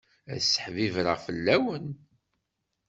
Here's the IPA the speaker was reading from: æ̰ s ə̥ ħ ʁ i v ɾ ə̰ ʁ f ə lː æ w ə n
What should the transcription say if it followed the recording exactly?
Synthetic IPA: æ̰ s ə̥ ħ v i v ɾ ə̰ ʁ f ə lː æ w ə n

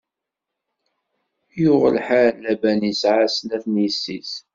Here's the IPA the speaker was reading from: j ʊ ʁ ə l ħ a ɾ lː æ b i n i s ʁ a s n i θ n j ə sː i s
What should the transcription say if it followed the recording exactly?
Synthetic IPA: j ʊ ʁ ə l ħ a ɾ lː æ b æ n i s ʕ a s n æ θ n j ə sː i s

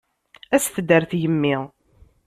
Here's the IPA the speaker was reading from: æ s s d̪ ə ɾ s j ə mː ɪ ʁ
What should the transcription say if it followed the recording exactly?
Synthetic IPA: æ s θ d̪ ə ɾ θ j ə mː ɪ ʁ

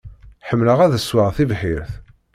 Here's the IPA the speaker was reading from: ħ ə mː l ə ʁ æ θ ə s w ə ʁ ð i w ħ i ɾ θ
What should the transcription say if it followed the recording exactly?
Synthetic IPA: ħ ə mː l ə ʁ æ ð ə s w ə ʁ θ i v ħ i ɾ θ

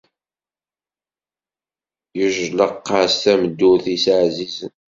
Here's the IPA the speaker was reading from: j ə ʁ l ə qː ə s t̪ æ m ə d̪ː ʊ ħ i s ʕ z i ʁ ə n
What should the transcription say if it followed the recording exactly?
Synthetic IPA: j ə ʒ l ə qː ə s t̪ æ m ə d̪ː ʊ θ i s ʕ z i z ə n

